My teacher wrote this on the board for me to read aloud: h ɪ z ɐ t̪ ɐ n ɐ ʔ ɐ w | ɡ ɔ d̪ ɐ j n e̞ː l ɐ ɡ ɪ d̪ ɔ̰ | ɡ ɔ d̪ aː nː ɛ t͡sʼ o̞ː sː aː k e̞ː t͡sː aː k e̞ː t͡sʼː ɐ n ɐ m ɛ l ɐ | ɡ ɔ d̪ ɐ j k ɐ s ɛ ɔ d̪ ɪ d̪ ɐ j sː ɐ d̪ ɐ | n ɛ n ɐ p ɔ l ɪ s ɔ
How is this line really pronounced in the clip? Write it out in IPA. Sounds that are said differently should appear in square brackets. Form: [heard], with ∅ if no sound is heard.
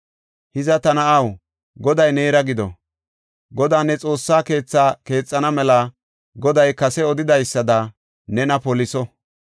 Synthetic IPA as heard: h ɪ z ɐ t̪ ɐ n ɐ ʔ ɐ w | ɡ ɔ d̪ ɐ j n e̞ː [ɾ] ɐ ɡ ɪ d̪ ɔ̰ | ɡ ɔ d̪ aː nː ɛ t͡sʼ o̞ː sː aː k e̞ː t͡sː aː k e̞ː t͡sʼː ɐ n ɐ m ɛ l ɐ | ɡ ɔ d̪ ɐ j k ɐ s ɛ ɔ d̪ ɪ d̪ ɐ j sː ɐ d̪ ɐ | n ɛ n ɐ p ɔ l ɪ s ɔ